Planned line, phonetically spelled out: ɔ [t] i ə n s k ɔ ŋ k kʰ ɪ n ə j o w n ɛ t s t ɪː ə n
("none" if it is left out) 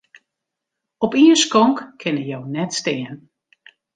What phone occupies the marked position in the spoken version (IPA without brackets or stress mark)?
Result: p